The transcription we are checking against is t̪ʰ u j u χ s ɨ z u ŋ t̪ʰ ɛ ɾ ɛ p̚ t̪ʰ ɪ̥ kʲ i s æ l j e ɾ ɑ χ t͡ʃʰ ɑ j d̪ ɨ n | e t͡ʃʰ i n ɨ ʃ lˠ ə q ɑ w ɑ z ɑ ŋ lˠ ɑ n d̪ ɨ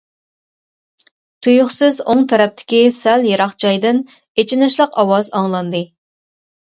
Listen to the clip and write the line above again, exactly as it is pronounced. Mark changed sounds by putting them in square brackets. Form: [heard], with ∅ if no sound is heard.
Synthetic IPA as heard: t̪ʰ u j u χ s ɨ z [o] ŋ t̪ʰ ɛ ɾ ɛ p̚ t̪ʰ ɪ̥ kʲ i s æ l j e ɾ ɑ χ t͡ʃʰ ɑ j d̪ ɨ n | e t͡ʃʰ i n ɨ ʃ lˠ ə q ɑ w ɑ z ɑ ŋ lˠ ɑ n d̪ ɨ